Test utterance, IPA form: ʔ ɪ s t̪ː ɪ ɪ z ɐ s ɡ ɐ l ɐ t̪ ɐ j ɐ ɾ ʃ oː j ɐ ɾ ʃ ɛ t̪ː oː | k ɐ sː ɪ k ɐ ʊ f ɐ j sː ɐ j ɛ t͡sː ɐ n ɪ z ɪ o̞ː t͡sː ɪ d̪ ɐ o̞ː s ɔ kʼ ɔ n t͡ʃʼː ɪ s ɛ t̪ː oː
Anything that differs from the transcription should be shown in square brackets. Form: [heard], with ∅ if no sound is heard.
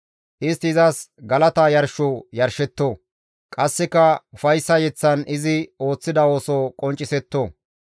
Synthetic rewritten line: ʔ ɪ s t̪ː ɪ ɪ z ɐ s ɡ ɐ l ɐ t̪ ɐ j ɐ ɾ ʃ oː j ɐ ɾ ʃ ɛ t̪ː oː | [kʼ] ɐ sː ɪ k ɐ ʊ f ɐ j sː ɐ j ɛ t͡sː ɐ n ɪ z ɪ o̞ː t͡sː ɪ d̪ ɐ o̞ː s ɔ kʼ ɔ n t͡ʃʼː ɪ s ɛ t̪ː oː